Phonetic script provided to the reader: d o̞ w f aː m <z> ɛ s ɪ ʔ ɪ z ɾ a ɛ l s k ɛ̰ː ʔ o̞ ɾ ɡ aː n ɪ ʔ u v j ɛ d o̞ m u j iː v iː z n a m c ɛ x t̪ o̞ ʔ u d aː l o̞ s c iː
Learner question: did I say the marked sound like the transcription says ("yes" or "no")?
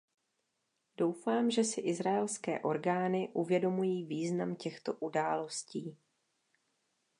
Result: no